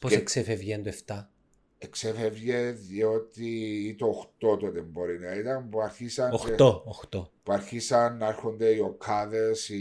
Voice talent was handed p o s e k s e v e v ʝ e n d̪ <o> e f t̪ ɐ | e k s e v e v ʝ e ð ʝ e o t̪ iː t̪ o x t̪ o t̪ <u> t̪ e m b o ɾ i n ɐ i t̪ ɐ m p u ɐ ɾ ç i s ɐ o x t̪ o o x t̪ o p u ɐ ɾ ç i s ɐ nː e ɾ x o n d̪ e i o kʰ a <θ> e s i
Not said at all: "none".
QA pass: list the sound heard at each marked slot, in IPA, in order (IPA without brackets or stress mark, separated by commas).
o, o, ð